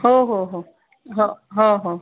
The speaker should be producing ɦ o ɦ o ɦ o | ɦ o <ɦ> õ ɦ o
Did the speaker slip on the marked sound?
no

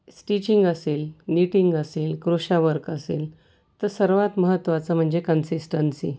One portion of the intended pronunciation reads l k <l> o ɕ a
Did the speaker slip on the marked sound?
yes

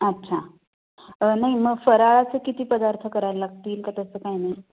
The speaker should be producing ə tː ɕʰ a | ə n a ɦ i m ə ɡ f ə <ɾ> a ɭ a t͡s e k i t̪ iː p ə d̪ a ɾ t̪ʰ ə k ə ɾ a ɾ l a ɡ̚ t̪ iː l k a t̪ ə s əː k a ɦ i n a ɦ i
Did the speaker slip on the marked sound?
no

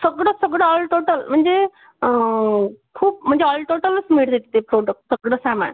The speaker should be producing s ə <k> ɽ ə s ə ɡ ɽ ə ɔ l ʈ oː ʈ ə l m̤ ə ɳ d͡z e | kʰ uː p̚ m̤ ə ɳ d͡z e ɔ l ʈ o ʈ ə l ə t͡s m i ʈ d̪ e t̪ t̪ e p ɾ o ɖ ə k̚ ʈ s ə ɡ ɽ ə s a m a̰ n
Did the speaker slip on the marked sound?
yes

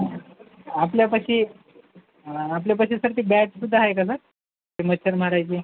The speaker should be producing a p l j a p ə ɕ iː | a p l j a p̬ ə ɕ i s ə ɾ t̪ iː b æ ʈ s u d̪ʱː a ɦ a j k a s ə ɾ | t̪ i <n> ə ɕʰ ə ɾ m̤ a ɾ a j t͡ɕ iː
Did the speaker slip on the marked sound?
yes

